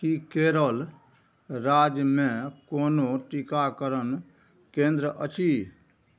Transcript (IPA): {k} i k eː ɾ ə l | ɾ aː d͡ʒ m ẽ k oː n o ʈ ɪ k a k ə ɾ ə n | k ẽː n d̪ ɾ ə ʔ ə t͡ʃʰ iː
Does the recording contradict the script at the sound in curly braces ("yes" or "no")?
no